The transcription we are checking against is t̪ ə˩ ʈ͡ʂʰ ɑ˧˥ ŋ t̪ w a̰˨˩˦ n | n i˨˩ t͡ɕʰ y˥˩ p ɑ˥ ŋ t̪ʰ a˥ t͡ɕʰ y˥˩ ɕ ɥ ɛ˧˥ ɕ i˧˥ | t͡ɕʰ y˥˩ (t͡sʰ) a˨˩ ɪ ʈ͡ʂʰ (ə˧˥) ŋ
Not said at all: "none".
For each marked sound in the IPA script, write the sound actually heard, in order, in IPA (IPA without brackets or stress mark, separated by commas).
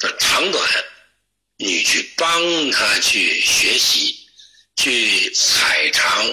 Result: t͡sʰ, ɑ˧˥